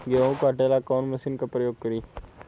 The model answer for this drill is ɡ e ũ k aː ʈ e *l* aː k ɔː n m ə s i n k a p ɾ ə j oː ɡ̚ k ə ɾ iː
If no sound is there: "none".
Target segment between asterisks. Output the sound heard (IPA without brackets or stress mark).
l